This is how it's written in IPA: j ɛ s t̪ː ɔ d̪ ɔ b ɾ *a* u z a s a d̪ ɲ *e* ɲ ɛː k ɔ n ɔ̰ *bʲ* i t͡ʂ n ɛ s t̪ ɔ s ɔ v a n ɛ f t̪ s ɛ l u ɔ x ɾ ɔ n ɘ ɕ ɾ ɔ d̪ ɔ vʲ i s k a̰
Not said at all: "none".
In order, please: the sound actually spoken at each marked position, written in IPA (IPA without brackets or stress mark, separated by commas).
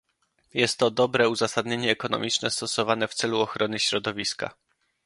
ɛ, e, mʲ